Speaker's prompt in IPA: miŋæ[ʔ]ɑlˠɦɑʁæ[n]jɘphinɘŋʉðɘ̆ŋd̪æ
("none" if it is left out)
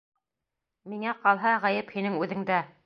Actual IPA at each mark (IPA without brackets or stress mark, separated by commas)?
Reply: q, none